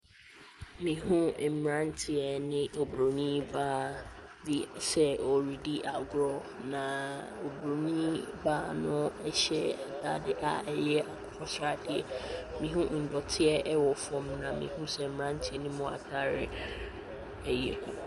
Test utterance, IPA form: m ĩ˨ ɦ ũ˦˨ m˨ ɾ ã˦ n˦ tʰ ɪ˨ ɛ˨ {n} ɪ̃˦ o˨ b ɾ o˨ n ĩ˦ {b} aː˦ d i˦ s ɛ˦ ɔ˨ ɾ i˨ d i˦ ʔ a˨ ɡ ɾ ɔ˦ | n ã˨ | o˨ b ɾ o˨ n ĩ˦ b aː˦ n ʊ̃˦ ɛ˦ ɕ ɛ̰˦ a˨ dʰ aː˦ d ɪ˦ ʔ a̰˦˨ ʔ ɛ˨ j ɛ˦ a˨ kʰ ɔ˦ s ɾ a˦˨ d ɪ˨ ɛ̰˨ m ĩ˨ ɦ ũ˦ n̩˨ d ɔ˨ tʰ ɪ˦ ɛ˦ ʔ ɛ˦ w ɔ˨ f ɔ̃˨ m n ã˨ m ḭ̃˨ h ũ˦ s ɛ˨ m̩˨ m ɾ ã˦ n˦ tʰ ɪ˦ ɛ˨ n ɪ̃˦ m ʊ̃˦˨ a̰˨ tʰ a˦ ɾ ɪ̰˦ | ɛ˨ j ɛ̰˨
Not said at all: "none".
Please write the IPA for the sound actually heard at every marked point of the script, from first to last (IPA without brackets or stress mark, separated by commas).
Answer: n, b